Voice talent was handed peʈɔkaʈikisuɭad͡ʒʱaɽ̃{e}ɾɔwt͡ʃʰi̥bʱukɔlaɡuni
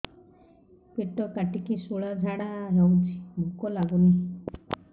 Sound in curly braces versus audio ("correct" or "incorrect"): incorrect